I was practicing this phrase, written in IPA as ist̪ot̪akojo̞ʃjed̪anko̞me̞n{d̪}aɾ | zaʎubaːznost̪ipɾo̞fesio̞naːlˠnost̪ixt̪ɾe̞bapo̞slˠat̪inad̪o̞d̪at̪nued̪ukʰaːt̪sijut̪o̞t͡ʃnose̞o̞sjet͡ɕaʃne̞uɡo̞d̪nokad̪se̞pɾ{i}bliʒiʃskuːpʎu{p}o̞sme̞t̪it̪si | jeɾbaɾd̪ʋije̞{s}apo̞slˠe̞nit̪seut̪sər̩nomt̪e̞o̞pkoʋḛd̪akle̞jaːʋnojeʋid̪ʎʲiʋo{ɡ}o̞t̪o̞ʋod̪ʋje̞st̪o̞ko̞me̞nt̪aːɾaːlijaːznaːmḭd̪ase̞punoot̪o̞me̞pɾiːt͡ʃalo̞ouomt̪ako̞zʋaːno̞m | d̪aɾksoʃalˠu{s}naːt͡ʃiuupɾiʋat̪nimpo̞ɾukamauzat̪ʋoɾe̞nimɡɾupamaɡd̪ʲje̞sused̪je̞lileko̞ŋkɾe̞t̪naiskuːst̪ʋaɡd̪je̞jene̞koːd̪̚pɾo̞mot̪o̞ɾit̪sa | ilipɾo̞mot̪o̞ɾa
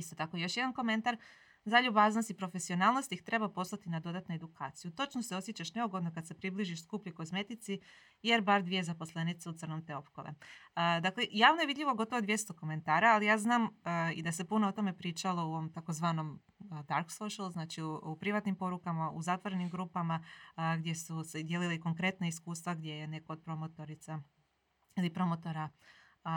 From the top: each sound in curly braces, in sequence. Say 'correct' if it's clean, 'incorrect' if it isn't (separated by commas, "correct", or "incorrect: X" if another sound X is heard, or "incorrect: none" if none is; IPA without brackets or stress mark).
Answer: incorrect: t̪, correct, incorrect: k, incorrect: z, correct, incorrect: z